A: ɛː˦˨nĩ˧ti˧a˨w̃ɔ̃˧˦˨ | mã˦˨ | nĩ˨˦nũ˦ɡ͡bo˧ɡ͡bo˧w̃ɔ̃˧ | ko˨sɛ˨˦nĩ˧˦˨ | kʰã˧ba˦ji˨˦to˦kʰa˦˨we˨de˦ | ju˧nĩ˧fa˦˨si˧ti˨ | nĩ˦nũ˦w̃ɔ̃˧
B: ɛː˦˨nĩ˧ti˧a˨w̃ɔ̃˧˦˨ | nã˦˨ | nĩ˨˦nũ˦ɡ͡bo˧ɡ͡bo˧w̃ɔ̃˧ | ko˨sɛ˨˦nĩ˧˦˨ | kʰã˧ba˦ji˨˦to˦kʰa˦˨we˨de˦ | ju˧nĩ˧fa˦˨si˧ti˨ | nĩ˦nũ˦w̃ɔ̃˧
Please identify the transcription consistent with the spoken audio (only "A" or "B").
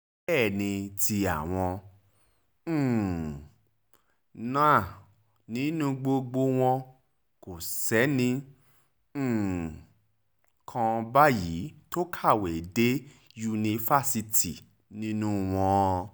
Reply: B